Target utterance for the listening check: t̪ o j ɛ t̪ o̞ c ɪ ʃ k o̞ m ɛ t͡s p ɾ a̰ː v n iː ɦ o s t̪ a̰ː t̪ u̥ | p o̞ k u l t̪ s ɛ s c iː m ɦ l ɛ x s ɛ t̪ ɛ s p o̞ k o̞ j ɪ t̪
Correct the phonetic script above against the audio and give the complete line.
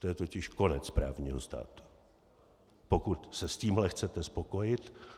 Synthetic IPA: t̪ o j ɛ t̪ o̞ c ɪ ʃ k o̞ n ɛ t͡s p ɾ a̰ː v ɲ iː ɦ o s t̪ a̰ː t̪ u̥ | p o̞ k u t̪ s ɛ s c iː m ɦ l ɛ x t͡s ɛ t̪ ɛ s p o̞ k o̞ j ɪ t̪